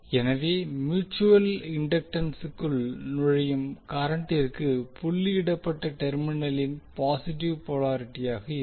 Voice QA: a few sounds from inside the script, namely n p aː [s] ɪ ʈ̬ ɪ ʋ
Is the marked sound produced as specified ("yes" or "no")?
yes